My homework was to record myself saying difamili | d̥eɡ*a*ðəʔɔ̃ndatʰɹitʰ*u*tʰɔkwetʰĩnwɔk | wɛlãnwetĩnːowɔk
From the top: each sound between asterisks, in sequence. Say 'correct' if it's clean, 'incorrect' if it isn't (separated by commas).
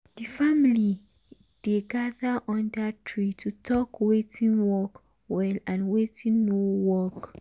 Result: correct, correct